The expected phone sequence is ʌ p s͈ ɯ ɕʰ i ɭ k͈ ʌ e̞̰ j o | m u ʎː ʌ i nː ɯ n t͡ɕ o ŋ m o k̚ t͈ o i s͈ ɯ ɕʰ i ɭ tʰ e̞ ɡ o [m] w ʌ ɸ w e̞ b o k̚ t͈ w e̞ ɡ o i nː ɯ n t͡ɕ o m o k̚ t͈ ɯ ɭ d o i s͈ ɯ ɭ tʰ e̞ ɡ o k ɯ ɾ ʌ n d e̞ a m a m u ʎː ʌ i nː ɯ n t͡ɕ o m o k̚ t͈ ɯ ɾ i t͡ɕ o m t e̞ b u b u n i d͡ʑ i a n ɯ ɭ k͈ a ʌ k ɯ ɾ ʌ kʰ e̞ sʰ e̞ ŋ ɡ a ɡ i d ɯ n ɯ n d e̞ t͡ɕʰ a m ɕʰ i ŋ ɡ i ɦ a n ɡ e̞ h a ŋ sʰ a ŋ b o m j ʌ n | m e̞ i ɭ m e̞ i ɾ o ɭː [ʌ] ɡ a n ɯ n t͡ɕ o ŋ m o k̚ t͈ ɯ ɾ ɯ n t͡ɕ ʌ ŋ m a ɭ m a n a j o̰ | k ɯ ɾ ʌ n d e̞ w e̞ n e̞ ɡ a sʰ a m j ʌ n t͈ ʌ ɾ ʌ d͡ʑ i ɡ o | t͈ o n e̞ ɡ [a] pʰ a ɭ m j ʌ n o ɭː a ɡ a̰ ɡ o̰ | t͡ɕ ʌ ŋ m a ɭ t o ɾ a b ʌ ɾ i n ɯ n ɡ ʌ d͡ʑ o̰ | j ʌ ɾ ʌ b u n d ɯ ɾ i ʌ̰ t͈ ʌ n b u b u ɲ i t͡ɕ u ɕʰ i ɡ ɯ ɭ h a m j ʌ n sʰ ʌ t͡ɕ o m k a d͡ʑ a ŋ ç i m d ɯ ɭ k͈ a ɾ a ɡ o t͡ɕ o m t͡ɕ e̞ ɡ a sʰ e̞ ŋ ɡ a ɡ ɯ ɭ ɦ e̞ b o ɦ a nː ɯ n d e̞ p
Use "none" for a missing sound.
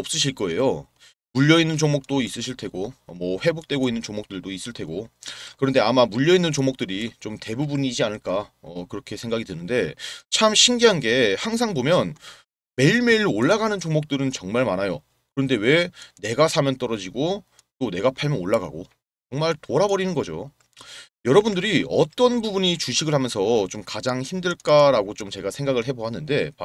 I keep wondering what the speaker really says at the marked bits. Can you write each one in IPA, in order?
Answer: m, a, a

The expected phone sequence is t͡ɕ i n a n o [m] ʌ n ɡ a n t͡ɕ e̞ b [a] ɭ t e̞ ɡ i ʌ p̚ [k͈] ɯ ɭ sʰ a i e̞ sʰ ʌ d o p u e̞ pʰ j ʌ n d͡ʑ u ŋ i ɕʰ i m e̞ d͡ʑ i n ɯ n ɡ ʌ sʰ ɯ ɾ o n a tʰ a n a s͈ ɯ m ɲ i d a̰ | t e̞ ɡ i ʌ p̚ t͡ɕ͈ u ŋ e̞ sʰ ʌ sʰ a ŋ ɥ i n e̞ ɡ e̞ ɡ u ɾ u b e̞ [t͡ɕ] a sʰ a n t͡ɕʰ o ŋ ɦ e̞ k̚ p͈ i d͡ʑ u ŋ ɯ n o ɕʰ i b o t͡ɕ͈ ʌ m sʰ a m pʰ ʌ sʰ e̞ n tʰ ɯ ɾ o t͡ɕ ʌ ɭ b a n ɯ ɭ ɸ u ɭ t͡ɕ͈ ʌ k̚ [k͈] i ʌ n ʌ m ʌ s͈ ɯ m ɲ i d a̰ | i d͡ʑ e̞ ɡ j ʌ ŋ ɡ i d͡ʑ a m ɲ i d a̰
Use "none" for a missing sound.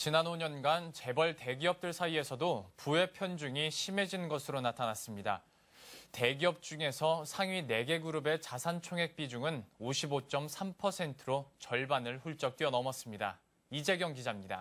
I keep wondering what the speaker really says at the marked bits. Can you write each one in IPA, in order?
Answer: ɲ, ʌ, t͈, t͡ɕ, t͈

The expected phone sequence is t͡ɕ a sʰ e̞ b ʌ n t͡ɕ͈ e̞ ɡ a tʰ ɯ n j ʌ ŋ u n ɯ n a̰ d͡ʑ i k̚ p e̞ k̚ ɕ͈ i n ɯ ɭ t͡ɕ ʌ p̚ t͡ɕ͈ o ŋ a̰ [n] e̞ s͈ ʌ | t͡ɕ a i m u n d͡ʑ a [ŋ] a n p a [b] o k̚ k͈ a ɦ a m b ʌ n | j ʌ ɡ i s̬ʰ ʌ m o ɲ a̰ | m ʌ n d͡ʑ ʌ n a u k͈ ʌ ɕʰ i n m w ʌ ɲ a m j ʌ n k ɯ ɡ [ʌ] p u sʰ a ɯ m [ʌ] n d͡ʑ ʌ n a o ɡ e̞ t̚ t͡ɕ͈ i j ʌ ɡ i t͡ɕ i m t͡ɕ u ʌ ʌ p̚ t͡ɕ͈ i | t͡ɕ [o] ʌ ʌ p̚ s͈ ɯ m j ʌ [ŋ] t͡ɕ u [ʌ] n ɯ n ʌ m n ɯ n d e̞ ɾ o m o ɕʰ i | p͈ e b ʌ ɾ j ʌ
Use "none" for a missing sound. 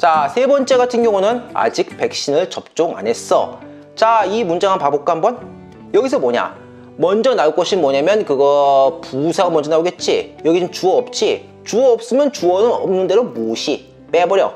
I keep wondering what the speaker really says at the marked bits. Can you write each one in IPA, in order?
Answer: n, ŋ, b, ʌ, ʌ, u, n, ʌ

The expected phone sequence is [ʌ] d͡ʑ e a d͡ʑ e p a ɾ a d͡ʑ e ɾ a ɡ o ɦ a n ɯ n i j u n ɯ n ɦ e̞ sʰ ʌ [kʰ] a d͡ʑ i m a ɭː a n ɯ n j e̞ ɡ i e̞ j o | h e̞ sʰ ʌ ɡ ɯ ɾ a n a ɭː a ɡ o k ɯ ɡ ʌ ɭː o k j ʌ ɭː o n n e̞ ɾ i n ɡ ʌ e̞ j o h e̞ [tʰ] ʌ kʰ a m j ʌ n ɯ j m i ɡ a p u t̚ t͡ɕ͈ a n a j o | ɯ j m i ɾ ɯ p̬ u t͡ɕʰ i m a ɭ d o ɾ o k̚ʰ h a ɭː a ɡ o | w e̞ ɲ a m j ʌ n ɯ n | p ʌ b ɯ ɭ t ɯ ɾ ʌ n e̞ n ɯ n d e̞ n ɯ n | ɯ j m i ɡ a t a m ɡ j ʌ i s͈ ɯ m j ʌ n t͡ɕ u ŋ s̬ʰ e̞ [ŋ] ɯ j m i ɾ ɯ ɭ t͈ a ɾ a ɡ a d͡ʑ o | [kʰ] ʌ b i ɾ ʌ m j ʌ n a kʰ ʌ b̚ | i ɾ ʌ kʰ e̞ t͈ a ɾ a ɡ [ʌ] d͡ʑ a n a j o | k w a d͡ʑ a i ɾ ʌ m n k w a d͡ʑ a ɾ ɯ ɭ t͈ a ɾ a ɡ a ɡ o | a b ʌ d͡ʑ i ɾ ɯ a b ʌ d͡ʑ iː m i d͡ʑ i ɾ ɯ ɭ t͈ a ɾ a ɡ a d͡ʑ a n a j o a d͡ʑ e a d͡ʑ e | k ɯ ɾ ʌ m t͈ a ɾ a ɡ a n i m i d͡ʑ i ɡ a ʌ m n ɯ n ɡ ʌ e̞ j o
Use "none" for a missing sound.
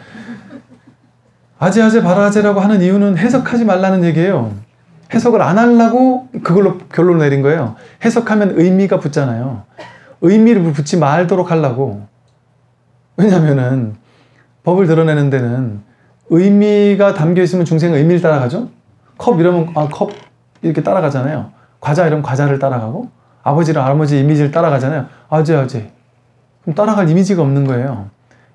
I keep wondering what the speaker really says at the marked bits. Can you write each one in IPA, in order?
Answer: a, kʰ, sʰ, ŋ, kʰ, a

